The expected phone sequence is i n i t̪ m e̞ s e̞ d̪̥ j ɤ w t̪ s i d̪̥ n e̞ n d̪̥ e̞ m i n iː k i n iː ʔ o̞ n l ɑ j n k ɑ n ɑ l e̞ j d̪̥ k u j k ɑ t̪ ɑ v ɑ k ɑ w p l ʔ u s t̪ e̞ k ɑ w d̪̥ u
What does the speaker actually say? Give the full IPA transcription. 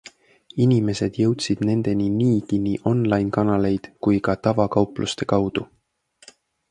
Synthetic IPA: i n i m e̞ s e̞ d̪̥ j ɤ w t̪ s i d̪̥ n e̞ n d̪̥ e̞ n i n iː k i n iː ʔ o̞ n l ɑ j n k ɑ n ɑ l e̞ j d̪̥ k u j k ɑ t̪ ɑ v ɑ k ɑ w p l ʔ u s t̪ e̞ k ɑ w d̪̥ u